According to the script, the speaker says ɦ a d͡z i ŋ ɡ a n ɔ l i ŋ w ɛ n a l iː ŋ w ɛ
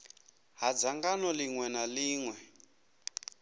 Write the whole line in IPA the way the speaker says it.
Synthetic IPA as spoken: ɦ a d͡z a ŋ ɡ a n ɔ l i ŋ w ɛ n a l iː ŋ w ɛ